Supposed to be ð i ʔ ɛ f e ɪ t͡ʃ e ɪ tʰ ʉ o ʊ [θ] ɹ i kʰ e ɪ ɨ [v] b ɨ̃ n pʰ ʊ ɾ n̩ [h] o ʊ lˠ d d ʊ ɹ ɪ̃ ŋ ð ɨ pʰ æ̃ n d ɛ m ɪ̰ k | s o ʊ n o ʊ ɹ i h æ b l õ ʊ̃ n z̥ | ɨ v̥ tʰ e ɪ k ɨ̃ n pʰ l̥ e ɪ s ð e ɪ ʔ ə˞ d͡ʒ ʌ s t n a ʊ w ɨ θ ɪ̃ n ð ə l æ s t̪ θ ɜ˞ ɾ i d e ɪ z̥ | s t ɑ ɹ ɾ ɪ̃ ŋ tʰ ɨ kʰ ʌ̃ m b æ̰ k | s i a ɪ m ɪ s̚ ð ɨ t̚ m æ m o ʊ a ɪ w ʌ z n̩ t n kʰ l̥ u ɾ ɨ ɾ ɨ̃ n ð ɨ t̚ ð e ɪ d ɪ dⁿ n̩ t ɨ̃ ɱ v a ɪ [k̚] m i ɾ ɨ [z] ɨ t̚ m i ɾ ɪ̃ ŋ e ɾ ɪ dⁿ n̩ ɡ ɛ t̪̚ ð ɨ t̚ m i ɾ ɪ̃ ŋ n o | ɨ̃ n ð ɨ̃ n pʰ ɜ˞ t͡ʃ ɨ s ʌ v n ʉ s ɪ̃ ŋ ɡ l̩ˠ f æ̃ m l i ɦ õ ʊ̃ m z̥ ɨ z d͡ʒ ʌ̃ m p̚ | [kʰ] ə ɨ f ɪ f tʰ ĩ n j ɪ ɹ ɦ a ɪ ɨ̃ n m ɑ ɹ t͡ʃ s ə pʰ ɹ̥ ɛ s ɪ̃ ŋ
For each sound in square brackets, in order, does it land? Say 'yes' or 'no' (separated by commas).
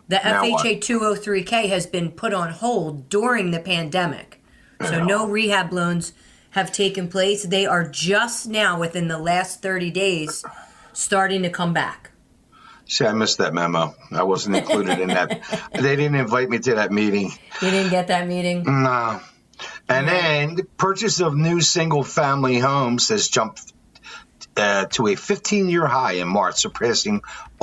yes, no, yes, no, no, no